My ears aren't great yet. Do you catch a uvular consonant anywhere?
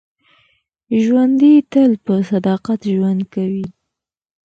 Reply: yes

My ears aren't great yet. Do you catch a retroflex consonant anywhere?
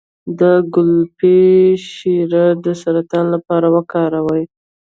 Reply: no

